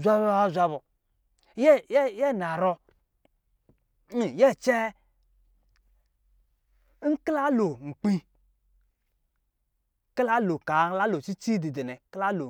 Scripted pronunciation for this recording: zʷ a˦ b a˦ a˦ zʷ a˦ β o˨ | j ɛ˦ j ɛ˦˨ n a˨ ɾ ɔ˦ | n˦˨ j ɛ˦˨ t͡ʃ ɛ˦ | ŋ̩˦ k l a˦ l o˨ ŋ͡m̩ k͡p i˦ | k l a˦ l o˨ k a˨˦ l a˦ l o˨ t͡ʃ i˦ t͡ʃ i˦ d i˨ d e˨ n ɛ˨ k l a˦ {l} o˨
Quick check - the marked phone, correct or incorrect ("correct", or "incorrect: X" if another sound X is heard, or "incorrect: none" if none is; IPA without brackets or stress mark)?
correct